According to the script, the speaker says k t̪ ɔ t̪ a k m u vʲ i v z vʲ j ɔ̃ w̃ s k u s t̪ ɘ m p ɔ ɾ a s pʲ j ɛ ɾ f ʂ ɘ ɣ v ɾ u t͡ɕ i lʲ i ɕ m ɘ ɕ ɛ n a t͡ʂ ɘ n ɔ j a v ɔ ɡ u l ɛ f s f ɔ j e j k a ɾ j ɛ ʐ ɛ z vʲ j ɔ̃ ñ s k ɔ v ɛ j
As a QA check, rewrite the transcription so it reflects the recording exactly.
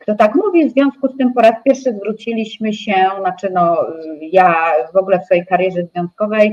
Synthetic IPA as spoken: k t̪ ɔ t̪ a k m u vʲ i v z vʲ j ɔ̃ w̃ s k u s t̪ ɘ m p ɔ ɾ a s pʲ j ɛ ɾ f ʂ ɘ z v ɾ u t͡ɕ i lʲ i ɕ m ɘ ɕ ɛ n a t͡ʂ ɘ n ɔ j a v ɔ ɡ u l ɛ f s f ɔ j e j k a ɾ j ɛ ʐ ɛ z vʲ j ɔ̃ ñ s k ɔ v ɛ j